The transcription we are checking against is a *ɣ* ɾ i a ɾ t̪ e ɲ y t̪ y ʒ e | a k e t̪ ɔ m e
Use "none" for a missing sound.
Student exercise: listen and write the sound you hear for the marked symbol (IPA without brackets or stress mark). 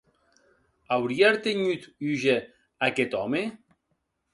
w